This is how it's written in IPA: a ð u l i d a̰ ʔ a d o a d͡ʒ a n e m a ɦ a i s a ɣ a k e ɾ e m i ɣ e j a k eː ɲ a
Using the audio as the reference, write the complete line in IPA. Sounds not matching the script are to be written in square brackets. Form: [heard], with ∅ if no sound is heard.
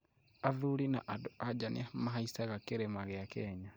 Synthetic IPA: a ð u l i [n] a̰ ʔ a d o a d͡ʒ a n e m a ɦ a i s a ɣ a k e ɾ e m [a] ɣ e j a k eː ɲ a